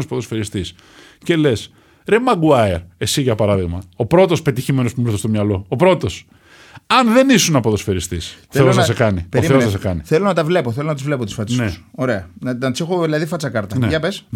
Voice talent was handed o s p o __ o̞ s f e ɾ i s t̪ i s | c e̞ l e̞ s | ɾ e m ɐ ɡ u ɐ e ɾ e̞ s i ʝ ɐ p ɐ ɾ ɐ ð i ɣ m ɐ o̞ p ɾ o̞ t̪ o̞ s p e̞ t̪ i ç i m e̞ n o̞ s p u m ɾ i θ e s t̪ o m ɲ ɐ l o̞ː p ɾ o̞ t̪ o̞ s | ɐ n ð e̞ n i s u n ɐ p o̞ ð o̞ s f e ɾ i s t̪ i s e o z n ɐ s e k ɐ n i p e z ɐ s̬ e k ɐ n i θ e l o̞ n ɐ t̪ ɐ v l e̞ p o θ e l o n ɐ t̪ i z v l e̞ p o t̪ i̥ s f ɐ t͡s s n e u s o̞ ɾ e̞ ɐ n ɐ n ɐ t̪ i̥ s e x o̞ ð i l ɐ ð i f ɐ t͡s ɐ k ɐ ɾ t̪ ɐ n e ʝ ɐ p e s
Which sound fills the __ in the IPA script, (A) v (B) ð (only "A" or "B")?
B